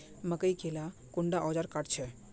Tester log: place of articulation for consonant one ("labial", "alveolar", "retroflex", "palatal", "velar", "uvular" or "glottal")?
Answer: labial